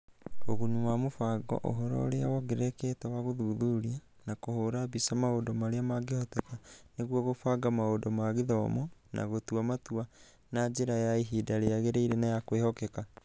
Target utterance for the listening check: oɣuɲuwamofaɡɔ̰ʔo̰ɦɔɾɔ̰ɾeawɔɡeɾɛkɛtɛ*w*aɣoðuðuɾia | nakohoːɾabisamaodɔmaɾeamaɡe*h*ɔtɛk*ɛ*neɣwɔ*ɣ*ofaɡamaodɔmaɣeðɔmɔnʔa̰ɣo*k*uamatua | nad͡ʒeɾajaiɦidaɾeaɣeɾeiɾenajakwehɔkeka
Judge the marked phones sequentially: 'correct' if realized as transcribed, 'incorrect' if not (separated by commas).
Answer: correct, correct, incorrect, correct, incorrect